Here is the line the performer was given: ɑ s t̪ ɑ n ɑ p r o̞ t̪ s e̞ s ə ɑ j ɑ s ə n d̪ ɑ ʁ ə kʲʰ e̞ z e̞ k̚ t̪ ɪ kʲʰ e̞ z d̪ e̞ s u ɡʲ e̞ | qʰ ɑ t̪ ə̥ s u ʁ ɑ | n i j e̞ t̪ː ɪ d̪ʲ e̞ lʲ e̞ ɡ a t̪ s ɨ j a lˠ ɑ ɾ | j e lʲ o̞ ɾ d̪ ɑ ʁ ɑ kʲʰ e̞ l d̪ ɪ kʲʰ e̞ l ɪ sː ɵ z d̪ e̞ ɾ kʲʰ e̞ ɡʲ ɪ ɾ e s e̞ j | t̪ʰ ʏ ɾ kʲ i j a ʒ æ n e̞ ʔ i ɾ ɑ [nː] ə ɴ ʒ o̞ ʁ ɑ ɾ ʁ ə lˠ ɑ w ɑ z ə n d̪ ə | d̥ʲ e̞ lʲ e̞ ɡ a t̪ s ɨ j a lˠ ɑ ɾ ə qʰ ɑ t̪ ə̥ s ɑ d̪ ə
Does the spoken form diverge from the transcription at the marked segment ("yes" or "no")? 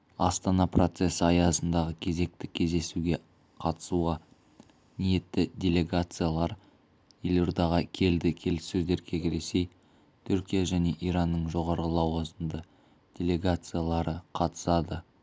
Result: no